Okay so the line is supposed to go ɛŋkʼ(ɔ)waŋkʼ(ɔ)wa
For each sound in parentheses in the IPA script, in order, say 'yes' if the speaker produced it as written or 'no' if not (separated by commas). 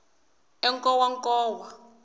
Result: yes, no